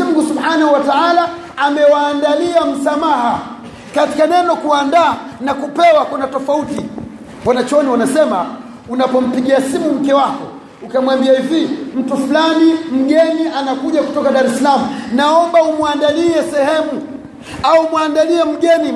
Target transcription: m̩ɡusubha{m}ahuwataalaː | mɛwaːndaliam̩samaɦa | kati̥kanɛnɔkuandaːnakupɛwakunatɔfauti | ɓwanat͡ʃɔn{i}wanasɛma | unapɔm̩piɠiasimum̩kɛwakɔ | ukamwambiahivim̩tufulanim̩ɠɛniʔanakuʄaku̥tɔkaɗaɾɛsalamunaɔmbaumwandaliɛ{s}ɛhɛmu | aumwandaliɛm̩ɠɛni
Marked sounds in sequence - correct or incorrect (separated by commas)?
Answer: incorrect, correct, correct